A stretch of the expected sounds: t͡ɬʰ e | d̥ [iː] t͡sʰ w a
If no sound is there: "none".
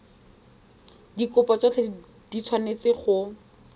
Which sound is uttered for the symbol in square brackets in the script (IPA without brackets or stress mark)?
i